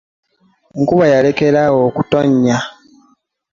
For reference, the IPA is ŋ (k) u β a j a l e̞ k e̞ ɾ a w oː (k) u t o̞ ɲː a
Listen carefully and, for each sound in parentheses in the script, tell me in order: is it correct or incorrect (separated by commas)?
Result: correct, correct